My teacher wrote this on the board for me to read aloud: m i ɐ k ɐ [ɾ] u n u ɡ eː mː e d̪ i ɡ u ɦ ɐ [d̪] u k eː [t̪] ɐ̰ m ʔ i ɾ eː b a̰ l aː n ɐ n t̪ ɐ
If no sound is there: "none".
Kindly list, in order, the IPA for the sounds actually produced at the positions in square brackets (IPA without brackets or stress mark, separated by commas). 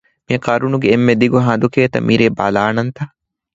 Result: ɾ, d̪, t̪